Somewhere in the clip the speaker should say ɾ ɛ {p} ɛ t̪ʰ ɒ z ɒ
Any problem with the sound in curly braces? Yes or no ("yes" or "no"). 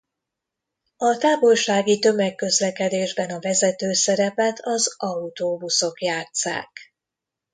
no